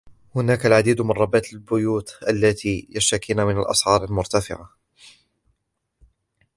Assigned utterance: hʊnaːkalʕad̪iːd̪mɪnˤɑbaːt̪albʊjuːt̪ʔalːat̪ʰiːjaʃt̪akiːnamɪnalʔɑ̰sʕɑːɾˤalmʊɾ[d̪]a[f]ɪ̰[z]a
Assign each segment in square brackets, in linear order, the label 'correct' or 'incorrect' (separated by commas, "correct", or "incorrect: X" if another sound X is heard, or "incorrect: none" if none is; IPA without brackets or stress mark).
incorrect: t̪, correct, incorrect: ʕ